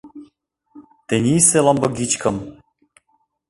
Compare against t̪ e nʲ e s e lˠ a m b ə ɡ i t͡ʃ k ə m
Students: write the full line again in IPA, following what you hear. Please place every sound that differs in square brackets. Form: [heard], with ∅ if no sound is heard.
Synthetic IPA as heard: t̪ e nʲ [i] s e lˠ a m b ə ɡ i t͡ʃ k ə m